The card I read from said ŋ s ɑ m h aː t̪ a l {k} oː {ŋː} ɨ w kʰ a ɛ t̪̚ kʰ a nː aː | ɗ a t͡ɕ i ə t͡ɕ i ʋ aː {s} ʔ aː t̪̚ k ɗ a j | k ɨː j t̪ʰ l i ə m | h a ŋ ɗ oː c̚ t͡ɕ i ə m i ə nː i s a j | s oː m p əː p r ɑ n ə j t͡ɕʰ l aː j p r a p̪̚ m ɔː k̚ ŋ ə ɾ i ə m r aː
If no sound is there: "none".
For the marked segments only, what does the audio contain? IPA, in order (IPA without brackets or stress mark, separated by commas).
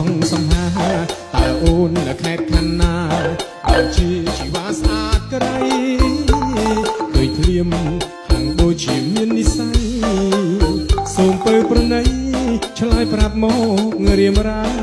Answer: ʔ, nː, s